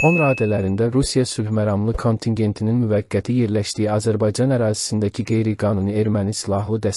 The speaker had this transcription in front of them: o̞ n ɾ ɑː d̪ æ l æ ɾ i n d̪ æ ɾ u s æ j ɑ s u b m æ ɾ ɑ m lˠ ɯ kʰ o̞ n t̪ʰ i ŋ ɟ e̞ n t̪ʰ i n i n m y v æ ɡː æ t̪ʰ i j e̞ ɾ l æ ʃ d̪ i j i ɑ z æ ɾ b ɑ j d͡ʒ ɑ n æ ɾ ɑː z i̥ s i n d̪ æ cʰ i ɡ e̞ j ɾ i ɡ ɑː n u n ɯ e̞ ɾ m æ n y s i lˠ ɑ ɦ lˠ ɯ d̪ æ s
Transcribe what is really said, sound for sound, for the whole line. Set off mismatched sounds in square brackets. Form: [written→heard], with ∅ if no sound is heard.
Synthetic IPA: o̞ n ɾ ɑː d̪ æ l æ ɾ i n d̪ æ ɾ u s [æ→i] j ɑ s u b m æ ɾ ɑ m lˠ ɯ kʰ o̞ n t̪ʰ i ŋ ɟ e̞ n t̪ʰ i n i n m y v æ ɡː æ t̪ʰ i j e̞ ɾ l æ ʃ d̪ i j i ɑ z æ ɾ b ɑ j d͡ʒ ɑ n æ ɾ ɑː z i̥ s i n d̪ æ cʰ i ɡ e̞ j ɾ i ɡ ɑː n u n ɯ e̞ ɾ m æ n [y→i] s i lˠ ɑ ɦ lˠ ɯ d̪ æ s